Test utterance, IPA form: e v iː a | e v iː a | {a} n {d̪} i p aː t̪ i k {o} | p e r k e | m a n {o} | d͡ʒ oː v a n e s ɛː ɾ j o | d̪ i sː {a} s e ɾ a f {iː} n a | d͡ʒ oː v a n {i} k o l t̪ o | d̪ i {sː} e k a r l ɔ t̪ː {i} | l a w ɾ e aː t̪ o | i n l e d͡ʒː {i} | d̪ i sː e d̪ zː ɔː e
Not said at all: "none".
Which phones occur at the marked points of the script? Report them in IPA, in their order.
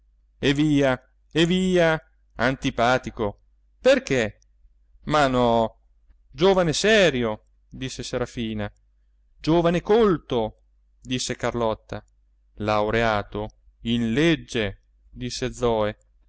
a, t̪, o, ɔ, e, iː, e, sː, a, e

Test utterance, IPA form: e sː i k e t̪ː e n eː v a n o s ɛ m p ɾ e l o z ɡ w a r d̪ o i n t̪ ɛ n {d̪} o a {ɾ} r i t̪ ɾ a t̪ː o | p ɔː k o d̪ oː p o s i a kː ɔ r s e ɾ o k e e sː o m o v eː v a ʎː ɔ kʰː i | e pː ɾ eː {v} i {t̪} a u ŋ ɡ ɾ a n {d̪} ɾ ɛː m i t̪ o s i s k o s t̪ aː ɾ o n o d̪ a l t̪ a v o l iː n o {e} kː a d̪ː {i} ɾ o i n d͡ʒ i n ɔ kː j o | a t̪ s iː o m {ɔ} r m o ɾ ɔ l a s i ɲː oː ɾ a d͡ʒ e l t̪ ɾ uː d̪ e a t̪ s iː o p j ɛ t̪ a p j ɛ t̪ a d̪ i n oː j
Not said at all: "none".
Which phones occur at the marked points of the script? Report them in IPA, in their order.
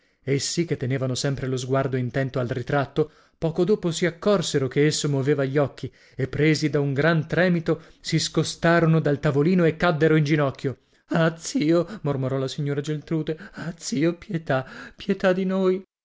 t̪, l, z, d̪, t̪, e, e, o

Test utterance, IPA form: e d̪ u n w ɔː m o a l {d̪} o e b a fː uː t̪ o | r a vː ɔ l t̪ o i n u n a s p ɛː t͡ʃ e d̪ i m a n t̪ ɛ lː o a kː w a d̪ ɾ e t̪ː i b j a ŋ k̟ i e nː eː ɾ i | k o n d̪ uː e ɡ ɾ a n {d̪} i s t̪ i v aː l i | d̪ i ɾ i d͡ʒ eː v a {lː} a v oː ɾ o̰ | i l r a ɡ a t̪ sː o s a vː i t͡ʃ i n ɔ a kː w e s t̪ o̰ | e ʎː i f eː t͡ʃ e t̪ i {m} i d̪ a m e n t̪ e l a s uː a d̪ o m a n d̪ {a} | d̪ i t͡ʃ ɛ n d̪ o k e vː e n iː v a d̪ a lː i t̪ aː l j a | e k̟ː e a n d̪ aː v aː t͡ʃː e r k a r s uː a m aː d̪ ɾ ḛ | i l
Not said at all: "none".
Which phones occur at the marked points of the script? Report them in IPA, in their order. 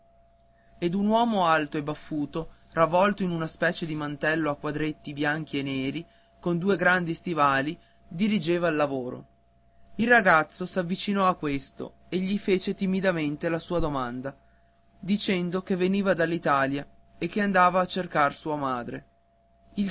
t̪, d̪, lː, m, a

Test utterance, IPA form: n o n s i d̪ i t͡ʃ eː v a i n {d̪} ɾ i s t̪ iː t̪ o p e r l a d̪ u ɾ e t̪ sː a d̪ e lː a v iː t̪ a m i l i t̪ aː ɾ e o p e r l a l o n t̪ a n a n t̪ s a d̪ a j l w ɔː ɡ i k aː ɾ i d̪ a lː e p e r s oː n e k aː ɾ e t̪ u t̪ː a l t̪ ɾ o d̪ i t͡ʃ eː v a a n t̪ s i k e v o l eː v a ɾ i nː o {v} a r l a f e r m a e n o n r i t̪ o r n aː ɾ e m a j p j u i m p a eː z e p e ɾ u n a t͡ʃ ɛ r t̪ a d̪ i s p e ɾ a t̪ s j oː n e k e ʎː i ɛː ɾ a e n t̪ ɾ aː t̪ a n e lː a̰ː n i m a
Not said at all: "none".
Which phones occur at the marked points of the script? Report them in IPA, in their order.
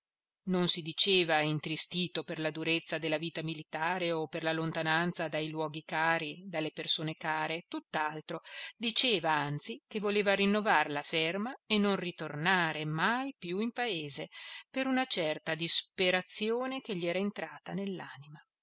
t̪, v

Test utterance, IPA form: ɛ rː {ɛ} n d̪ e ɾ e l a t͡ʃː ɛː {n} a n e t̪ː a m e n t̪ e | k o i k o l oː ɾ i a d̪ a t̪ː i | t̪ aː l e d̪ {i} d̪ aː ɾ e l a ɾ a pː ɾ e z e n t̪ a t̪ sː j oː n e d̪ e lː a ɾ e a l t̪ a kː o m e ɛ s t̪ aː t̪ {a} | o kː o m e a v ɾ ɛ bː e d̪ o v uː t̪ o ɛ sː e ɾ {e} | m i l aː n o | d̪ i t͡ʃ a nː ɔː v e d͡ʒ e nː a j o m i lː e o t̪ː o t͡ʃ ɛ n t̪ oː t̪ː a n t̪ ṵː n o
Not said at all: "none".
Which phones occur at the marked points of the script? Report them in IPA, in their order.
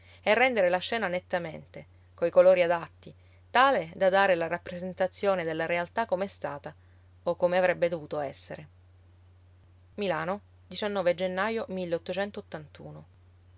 ɛ, n, a, a, e

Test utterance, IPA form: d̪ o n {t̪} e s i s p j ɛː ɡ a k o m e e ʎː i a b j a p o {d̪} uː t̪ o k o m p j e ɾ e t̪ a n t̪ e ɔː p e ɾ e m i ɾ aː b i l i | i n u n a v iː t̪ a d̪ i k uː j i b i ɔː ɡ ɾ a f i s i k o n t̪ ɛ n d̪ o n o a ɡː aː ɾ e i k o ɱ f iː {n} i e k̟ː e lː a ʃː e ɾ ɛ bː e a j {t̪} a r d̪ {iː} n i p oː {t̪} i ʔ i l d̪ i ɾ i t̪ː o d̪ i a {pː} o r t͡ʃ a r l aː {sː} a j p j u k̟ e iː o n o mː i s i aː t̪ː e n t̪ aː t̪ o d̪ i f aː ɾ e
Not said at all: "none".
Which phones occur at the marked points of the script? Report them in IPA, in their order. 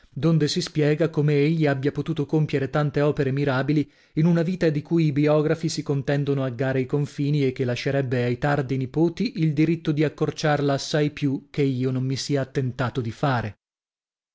d̪, t̪, n, t̪, i, t̪, kː, sː

